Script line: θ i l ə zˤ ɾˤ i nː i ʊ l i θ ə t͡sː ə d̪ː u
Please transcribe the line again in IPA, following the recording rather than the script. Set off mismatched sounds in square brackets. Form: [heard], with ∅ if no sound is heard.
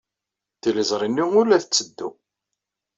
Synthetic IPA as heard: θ i l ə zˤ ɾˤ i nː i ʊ l [æ] θ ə t͡sː ə d̪ː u